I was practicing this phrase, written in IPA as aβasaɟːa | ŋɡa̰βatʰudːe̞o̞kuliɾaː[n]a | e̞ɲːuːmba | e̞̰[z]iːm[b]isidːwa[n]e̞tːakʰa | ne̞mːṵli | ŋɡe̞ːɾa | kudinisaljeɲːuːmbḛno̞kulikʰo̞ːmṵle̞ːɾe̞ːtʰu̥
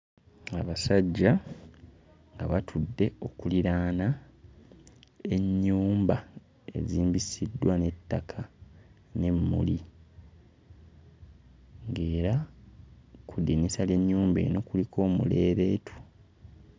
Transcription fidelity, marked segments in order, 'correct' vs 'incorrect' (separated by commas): correct, correct, correct, correct